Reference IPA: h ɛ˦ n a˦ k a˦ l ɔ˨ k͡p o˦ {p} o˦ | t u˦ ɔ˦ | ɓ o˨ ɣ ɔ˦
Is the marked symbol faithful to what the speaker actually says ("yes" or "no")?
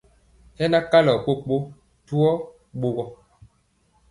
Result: no